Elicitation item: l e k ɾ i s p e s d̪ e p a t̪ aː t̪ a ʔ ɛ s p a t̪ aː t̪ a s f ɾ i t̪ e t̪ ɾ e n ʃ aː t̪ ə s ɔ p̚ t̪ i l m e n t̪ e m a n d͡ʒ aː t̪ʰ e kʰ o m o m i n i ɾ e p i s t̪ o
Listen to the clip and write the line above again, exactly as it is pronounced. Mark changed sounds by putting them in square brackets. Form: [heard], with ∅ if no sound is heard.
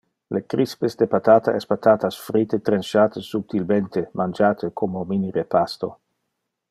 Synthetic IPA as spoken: l e k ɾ i s p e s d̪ e p a t̪ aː t̪ a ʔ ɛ s p a t̪ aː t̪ a s f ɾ i t̪ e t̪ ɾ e n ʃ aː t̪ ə s [u] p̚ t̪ i l m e n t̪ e m a n d͡ʒ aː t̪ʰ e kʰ o m o m i n i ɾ e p [a] s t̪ o